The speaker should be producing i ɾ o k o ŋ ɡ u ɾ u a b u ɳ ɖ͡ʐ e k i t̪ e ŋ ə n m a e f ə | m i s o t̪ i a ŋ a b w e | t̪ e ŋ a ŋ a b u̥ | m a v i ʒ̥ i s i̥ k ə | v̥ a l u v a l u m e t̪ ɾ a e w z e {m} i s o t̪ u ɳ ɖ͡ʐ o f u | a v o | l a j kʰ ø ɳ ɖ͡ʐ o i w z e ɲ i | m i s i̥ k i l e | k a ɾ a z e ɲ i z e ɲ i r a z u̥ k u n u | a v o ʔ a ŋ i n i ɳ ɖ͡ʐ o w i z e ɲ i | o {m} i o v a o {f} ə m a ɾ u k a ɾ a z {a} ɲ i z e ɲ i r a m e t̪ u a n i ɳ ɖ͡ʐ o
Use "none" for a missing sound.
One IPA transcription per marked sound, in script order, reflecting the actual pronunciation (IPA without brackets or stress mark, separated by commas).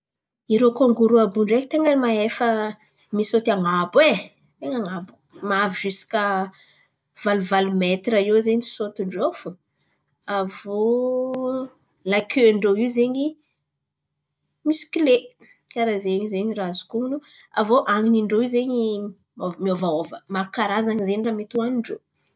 ɲ, m, v, a